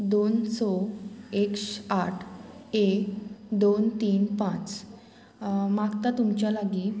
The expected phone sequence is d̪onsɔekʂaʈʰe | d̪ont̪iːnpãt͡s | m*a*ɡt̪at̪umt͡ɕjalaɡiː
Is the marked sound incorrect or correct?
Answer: correct